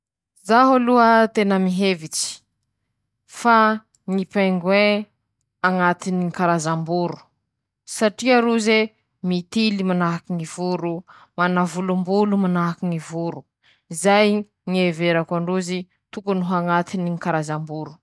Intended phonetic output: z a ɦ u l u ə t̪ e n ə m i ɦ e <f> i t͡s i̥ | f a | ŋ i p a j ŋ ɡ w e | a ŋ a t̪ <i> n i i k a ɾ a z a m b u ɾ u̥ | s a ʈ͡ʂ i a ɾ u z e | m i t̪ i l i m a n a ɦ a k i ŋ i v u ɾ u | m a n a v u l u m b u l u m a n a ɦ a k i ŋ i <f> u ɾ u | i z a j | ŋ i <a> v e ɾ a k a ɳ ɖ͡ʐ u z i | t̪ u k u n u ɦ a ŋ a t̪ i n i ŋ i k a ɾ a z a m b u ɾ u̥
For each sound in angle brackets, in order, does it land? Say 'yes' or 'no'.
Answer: no, yes, no, no

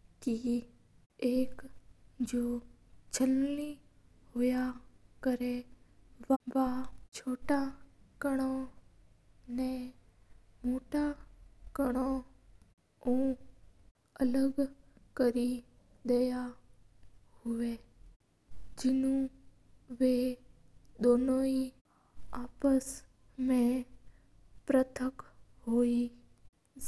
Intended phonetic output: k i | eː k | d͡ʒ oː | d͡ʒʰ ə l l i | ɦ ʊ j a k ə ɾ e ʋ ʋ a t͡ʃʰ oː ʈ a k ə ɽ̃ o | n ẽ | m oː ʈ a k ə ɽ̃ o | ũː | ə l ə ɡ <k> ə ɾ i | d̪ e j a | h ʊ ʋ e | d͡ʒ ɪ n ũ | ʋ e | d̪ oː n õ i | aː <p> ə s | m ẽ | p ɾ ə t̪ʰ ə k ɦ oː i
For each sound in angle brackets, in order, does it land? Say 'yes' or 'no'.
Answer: yes, yes

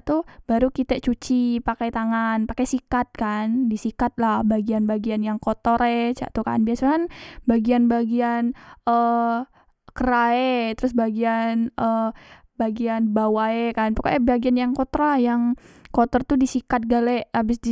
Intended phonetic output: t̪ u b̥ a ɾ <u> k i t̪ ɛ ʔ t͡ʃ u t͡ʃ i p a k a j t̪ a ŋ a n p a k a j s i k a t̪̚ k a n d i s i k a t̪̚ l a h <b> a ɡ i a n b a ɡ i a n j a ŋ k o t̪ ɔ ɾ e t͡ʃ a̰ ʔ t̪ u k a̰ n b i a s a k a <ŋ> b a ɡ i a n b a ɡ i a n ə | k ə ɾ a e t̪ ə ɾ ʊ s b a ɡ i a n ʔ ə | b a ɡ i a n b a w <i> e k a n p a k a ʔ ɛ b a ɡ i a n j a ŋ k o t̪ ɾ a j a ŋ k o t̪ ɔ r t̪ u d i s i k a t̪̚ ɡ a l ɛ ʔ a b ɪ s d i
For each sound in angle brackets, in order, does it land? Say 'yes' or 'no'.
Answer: yes, yes, no, no

